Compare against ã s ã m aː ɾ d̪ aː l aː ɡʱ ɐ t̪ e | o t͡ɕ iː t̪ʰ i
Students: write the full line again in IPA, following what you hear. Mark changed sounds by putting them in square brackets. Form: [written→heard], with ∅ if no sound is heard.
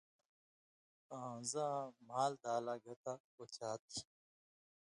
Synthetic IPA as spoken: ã [s→z] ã m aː [ɾ→l] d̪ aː l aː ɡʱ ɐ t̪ [e→a] | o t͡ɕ [iː→aː] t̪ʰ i